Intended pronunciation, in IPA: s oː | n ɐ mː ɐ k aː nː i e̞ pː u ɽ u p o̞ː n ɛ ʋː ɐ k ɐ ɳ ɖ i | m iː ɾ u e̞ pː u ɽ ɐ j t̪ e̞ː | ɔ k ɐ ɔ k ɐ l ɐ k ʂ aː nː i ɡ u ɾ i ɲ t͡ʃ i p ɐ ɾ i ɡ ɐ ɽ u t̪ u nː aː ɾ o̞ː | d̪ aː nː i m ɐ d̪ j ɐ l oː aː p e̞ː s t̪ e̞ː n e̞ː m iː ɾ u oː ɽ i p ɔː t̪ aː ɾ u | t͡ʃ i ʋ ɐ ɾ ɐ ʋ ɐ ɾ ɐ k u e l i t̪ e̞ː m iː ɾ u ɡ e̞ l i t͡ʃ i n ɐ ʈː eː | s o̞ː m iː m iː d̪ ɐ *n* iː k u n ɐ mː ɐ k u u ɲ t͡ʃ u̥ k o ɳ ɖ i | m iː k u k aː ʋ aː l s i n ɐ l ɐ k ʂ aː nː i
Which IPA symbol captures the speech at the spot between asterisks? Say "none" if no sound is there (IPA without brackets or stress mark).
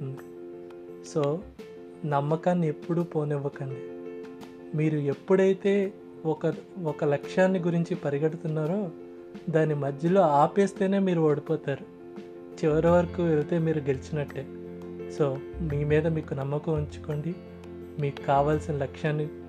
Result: m